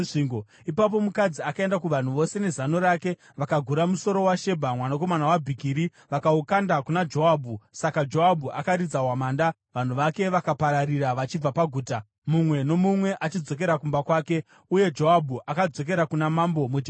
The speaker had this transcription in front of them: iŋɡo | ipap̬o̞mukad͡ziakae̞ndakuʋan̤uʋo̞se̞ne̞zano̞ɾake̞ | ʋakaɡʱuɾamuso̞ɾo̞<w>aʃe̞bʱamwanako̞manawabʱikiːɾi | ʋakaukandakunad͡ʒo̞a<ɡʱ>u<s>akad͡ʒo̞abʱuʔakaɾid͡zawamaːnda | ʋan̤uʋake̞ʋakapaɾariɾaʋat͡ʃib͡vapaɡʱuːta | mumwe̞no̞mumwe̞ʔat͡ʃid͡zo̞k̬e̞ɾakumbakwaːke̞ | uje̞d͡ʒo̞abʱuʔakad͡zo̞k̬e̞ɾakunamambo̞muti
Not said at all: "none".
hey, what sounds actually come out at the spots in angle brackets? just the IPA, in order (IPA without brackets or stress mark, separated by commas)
w, bʱ, s